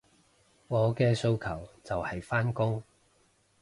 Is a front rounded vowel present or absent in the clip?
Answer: absent